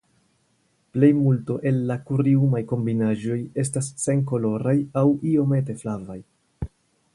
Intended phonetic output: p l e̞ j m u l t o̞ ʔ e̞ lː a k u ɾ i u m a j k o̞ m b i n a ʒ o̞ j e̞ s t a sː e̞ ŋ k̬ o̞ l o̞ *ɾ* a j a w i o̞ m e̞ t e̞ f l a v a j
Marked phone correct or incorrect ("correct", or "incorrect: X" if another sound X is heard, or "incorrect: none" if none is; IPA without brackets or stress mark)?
correct